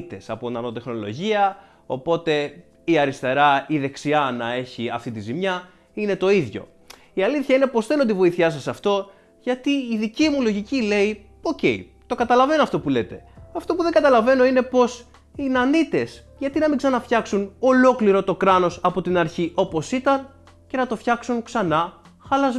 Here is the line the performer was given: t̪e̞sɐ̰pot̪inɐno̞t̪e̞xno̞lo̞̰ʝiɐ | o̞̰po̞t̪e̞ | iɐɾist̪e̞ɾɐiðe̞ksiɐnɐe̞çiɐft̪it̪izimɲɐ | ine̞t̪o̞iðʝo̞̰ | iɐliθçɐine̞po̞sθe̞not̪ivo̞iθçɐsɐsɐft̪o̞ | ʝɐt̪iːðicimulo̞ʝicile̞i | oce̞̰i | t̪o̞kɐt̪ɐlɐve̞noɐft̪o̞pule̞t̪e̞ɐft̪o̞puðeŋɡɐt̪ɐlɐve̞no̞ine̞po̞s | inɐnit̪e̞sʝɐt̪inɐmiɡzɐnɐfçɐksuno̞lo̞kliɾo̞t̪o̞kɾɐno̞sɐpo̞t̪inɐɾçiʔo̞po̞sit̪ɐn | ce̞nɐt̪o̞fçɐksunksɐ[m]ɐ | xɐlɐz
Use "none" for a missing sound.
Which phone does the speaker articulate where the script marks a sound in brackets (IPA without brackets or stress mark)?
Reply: n